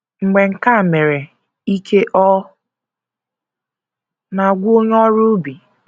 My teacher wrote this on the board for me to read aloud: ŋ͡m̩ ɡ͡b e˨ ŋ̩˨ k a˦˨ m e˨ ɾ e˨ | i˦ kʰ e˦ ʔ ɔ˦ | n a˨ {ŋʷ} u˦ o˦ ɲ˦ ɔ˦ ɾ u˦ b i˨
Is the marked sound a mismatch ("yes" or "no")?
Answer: yes